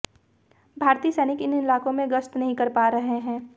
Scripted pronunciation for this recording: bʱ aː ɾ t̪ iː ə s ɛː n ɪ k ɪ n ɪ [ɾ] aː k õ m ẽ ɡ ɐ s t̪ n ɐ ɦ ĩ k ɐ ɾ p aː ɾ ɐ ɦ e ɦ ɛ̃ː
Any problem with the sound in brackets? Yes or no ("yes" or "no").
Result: yes